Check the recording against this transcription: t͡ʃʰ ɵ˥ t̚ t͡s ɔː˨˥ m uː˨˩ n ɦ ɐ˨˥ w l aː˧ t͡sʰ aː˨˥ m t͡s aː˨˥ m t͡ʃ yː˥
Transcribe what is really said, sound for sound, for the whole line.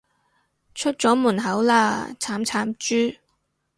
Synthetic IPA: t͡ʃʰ ɵ˥ t̚ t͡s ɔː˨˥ m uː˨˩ n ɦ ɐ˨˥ w l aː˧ t͡sʰ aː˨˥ m t͡sʰ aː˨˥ m t͡ʃ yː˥

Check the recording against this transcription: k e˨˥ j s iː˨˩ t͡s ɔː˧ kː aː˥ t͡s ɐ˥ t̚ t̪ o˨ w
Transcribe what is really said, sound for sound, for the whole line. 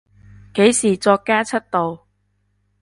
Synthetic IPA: k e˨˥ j s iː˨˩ t͡s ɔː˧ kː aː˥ t͡sʰ ɐ˥ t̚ t̪ o˨ w

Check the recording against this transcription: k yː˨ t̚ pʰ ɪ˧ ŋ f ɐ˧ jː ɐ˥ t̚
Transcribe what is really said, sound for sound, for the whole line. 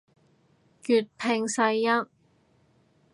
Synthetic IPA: k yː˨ t̚ pʰ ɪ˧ ŋ s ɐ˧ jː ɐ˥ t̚

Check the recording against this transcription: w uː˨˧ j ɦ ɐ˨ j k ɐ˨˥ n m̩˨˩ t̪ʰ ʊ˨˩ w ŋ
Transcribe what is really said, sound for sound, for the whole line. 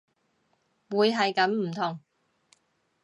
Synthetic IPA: w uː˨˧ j ɦ ɐ˨ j k ɐ˨˥ m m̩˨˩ t̪ʰ ʊ˨˩ ŋ

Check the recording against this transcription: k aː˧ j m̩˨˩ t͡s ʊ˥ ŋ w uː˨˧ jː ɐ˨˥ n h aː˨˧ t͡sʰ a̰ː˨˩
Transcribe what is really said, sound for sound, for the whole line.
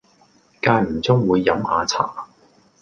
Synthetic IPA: k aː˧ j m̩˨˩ t͡s ʊ˥ ŋ w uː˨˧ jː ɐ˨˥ m h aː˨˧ t͡sʰ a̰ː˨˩

